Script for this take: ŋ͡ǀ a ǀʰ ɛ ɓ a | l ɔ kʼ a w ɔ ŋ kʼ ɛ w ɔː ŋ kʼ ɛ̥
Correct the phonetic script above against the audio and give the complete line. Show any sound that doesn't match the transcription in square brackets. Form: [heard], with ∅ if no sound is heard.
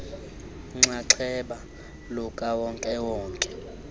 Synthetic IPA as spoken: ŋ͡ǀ a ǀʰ ɛ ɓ a | l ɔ kʼ a w ɔ ŋ kʼ ɛ w ɔː ŋ kʼ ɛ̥

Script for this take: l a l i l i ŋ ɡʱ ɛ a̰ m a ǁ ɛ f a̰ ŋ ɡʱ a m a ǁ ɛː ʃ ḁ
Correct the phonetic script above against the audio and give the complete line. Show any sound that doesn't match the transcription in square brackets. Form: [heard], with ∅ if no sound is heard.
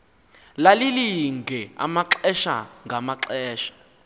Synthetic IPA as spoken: l a l i l i ŋ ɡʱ ɛ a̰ m a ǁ ɛ [ʃ] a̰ ŋ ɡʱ a m a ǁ ɛː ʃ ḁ

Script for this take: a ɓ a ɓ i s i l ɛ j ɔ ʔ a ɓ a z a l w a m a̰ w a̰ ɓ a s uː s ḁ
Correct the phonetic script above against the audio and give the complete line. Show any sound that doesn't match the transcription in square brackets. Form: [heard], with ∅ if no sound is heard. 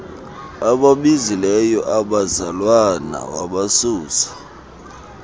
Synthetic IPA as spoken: a ɓ a ɓ i [z] i l ɛ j ɔ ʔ a ɓ a z a l w a [n] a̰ w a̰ ɓ a s uː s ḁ

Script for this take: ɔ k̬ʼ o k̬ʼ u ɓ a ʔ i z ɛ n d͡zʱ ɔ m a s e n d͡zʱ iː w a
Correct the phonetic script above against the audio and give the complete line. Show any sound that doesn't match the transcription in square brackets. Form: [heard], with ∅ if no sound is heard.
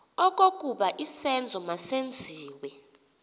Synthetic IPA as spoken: ɔ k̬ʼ o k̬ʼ u ɓ a ʔ i [s] ɛ n d͡zʱ ɔ m a s e n d͡zʱ iː w [ɛ]

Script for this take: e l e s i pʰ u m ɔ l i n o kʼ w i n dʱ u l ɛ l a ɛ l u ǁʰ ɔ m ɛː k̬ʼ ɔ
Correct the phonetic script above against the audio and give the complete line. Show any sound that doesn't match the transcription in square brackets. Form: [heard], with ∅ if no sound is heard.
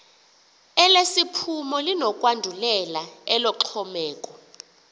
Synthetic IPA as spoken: [ɛ] l e s i pʰ u m ɔ l i n [ɔ] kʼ w [a] n dʱ u l ɛ l a ɛ l [ɔ] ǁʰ ɔ m ɛː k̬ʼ ɔ

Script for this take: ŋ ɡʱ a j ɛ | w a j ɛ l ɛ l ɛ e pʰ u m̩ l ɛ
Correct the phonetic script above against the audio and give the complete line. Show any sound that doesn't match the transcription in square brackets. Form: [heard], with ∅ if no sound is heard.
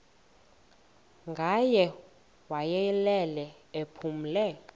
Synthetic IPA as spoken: ŋ ɡʱ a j ɛ | w a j ɛ l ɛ l ɛ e pʰ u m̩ l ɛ

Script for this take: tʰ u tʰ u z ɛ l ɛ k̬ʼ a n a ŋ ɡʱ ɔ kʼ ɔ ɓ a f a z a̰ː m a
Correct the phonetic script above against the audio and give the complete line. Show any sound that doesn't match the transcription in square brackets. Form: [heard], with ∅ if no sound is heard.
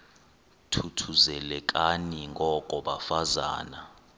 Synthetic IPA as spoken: tʰ u tʰ u z ɛ l ɛ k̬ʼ a n [i] ŋ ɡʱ ɔ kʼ ɔ ɓ a f a z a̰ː [n] a

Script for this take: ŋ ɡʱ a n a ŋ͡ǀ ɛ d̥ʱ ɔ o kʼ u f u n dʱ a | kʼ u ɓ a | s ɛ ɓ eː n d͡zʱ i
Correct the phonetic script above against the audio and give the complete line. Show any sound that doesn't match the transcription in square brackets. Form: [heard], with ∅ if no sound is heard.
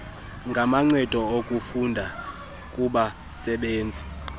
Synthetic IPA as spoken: ŋ ɡʱ a [m] a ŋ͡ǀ ɛ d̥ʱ ɔ o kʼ u f u n dʱ a | kʼ u ɓ a | s ɛ ɓ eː n d͡zʱ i

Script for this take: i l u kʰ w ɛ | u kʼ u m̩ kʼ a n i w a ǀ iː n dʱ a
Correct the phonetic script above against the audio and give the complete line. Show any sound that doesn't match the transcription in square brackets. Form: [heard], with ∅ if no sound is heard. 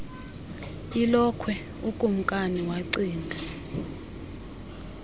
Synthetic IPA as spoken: i l [ɔ] kʰ w ɛ | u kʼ u m̩ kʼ a n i w a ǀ iː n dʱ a

